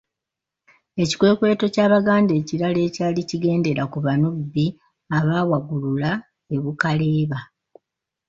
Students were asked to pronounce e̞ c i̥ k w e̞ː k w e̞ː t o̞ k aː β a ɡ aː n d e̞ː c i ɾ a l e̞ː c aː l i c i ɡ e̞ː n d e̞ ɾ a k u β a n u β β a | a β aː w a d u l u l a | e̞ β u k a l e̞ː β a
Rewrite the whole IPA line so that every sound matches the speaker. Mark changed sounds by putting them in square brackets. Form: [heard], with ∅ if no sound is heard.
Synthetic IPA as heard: e̞ c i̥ k w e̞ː k w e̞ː t o̞ [c] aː β a ɡ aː n d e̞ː c i ɾ a l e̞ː c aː l i c i ɡ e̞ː n d e̞ ɾ a k u β a n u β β [i] | a β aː w a [ɡ] u l u l a | e̞ β u k a l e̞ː β a